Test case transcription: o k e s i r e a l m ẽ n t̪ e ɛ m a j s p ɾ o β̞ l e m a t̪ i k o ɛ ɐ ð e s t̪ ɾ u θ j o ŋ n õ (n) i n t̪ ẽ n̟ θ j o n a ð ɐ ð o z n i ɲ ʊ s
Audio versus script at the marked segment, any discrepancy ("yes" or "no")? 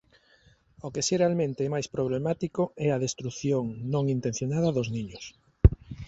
yes